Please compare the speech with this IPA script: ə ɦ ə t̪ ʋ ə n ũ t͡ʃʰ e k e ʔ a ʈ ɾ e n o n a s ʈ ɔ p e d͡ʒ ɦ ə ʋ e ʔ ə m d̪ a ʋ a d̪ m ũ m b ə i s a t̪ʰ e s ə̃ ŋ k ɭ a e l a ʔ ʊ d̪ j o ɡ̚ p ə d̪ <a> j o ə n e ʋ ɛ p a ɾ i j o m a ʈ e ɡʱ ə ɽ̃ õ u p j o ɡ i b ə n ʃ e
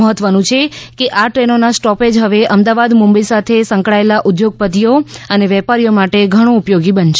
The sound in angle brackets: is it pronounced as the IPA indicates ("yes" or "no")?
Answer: no